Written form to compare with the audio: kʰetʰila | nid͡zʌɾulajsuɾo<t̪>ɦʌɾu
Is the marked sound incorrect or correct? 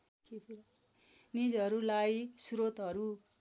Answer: correct